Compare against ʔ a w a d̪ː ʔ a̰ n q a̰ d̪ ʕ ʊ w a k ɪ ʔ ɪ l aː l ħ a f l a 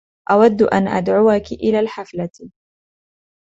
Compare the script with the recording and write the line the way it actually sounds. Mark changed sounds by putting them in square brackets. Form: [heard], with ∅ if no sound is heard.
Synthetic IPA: ʔ a w a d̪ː ʔ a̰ n [ʔ] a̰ d̪ ʕ ʊ w a k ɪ ʔ ɪ l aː l ħ a f l a

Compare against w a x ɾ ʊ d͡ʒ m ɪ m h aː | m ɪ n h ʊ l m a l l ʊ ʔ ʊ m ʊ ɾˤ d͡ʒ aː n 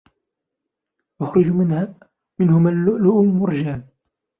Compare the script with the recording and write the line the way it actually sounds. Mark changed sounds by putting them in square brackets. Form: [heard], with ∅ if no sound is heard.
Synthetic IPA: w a x ɾ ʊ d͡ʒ m ɪ [n] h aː | m ɪ n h ʊ [∅] m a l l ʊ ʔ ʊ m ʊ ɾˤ d͡ʒ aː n

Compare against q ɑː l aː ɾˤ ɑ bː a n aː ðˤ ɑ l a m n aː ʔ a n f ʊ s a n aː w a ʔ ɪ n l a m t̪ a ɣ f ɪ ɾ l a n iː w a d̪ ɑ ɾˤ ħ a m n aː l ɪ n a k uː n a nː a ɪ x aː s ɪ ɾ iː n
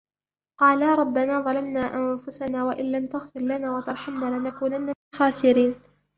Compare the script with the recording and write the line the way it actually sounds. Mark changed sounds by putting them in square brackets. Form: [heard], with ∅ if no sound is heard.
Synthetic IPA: q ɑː l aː ɾˤ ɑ bː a n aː ðˤ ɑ l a m n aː ʔ a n f ʊ s a n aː w a ʔ ɪ n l a m t̪ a ɣ f ɪ ɾ l a n [aː] w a [t̪] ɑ ɾˤ ħ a m n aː l ɪ n a k uː n a nː a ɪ x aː s ɪ ɾ iː n

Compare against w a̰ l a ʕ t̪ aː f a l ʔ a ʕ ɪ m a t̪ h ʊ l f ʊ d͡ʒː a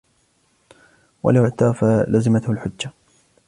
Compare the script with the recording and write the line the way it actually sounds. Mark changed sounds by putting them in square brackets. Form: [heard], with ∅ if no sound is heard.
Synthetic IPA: w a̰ l a ʕ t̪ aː f a l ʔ a [z] ɪ m a t̪ h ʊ l [ħ] ʊ d͡ʒː a

